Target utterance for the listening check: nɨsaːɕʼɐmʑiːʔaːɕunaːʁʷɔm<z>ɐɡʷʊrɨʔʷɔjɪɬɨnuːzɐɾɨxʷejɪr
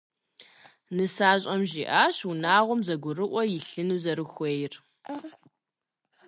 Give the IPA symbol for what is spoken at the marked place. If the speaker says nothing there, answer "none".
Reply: z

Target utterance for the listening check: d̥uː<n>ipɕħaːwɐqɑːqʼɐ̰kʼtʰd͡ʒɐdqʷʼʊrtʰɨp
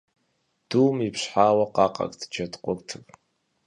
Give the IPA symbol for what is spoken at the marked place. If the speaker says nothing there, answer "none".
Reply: m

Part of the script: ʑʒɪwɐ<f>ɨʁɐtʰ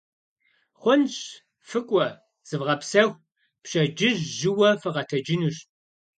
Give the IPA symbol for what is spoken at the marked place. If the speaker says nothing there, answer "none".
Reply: f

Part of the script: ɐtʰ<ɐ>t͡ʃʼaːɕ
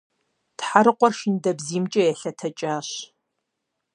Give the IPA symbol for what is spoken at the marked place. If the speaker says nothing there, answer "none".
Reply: ɐ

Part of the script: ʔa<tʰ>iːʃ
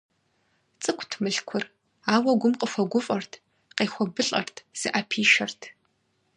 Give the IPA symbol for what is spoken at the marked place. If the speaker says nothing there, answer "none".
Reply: pʰ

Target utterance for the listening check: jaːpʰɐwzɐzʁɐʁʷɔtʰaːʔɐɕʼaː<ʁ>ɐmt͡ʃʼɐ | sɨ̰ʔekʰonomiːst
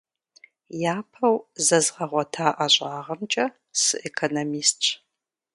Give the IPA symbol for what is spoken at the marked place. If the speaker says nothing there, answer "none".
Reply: ʁ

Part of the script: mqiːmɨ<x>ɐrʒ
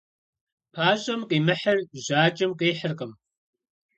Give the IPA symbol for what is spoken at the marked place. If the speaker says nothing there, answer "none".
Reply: ħ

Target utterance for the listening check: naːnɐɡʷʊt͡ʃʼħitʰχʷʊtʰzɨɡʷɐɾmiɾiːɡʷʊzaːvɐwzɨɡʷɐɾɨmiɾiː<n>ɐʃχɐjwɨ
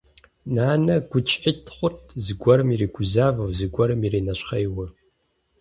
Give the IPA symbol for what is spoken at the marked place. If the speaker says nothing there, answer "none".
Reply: n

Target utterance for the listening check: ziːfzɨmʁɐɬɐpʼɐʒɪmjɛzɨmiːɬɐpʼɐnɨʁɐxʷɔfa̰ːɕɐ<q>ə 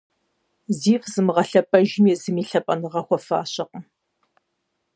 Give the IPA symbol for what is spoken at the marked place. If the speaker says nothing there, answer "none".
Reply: q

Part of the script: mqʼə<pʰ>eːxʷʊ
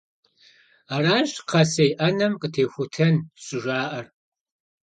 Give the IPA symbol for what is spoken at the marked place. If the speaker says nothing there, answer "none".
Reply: tʰ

